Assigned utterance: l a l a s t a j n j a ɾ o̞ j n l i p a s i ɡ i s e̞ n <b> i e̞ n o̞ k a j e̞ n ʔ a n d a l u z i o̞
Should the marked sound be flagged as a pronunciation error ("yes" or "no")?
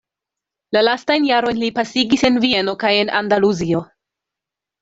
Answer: yes